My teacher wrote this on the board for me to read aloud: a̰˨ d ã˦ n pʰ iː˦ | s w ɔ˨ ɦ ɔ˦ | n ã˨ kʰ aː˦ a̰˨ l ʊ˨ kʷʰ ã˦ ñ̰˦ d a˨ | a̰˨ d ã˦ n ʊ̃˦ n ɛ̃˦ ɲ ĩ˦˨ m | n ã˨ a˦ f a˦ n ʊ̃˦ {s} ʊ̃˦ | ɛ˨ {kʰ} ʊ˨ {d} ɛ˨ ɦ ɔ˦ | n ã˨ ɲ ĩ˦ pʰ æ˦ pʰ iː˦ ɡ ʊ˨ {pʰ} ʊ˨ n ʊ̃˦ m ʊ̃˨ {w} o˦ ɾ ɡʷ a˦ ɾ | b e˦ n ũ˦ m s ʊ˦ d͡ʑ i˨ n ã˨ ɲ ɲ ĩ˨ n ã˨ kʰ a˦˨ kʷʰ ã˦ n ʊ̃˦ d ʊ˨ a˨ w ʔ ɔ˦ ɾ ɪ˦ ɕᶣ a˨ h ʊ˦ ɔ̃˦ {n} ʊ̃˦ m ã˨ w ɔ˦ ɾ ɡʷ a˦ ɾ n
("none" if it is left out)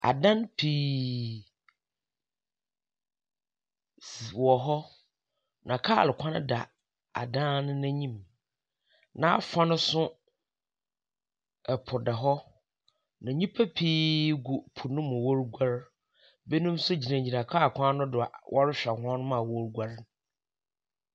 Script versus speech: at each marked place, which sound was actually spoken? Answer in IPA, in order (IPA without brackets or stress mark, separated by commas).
s, pʰ, d, pʰ, w, n